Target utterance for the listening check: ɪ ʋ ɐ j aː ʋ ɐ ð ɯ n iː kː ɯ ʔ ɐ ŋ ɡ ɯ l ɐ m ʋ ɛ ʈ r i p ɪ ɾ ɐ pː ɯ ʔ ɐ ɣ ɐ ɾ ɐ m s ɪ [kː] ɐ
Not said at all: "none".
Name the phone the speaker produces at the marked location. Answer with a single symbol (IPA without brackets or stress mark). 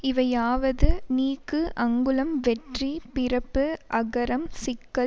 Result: kː